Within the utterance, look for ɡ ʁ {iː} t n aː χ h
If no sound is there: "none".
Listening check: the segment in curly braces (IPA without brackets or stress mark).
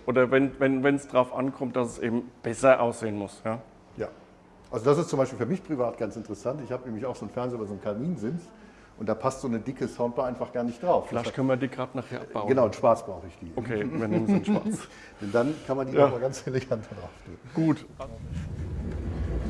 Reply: aː